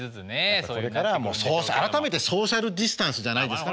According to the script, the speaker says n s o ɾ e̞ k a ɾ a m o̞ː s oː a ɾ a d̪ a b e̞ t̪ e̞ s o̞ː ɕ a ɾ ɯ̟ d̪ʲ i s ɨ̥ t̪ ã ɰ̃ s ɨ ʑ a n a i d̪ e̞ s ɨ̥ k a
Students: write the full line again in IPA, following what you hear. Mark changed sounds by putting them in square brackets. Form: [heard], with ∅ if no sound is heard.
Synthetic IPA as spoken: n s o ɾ e̞ k a ɾ a m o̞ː s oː a ɾ a [t̪] a [m] e̞ t̪ e̞ s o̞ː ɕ a ɾ ɯ̟ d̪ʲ i s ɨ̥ t̪ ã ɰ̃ s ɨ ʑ a n a i d̪ e̞ s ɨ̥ k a